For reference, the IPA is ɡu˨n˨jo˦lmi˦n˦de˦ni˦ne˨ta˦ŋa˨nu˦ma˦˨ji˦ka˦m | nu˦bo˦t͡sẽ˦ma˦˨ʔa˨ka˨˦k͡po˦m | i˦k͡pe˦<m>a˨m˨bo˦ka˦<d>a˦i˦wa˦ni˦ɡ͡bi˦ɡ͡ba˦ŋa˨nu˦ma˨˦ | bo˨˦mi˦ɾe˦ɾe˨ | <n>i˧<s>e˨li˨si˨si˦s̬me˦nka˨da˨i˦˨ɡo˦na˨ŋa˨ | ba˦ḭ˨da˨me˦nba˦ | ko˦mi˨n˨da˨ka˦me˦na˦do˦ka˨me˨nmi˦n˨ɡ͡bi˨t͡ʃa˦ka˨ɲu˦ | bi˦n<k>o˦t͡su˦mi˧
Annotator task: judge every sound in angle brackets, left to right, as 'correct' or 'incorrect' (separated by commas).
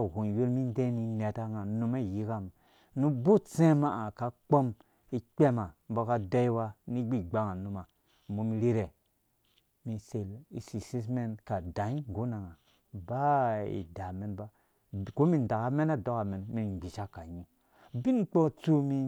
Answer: correct, correct, incorrect, correct, incorrect